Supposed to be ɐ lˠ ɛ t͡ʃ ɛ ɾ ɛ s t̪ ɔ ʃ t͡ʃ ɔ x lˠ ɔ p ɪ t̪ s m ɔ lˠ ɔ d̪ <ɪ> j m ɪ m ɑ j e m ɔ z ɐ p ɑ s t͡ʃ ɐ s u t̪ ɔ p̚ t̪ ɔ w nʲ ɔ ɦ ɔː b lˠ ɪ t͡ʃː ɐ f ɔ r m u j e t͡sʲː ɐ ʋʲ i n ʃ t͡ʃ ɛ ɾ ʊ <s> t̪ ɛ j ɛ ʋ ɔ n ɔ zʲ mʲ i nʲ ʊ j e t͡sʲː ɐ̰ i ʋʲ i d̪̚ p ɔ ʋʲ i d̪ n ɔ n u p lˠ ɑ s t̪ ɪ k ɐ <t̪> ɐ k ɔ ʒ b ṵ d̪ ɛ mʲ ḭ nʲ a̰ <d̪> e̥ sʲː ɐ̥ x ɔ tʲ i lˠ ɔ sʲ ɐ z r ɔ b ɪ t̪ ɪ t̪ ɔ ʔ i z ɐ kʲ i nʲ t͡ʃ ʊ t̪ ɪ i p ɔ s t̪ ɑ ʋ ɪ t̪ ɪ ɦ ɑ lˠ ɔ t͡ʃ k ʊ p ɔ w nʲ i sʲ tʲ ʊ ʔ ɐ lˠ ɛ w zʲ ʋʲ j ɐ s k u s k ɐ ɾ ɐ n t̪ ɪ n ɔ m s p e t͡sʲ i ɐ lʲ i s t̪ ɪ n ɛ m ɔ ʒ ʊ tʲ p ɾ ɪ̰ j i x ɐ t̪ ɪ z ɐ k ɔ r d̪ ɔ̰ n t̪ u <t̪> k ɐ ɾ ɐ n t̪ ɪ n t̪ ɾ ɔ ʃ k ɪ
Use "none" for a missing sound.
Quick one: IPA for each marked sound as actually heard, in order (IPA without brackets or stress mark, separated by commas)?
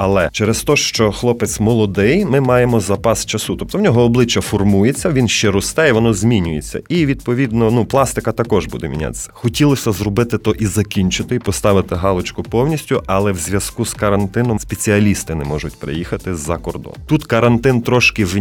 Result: ɪ, s, t̪, t̪, t̪